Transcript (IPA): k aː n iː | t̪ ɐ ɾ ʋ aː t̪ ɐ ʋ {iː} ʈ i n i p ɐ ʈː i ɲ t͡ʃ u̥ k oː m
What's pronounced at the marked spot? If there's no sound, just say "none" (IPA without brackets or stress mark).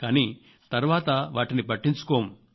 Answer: aː